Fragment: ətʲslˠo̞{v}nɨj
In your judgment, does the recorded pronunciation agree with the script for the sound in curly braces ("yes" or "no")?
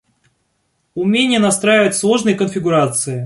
no